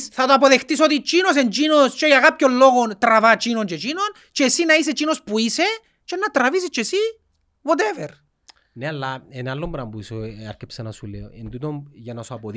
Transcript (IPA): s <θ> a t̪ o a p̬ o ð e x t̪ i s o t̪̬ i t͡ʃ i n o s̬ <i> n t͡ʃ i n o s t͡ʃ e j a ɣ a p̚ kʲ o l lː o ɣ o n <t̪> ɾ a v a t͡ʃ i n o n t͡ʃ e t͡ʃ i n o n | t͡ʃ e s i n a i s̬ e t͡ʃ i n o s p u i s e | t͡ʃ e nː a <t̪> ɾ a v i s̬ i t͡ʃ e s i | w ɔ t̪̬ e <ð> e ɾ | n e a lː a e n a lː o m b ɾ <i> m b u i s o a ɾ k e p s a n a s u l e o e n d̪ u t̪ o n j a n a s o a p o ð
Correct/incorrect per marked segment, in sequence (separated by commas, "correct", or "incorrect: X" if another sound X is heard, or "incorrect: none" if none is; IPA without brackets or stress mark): correct, incorrect: e, correct, correct, incorrect: v, incorrect: a